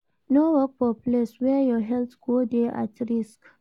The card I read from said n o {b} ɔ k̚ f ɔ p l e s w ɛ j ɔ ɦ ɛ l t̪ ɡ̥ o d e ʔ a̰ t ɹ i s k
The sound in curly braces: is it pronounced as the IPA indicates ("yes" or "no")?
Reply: no